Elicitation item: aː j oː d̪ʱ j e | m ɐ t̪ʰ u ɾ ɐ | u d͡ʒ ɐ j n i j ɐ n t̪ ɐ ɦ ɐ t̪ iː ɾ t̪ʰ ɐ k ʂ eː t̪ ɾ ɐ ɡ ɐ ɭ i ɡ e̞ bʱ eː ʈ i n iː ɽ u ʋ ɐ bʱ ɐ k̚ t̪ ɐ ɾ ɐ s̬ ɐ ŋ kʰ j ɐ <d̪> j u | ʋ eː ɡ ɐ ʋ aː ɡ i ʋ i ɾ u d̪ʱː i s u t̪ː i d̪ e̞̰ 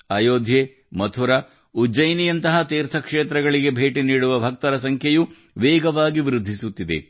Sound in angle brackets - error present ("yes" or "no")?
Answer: yes